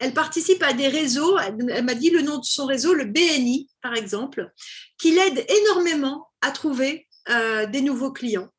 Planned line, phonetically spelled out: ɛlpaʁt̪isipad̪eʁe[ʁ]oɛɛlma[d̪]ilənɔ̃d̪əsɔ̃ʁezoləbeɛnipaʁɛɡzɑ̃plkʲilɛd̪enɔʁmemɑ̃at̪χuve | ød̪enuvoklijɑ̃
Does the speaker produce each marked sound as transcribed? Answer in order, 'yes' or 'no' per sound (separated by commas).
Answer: no, yes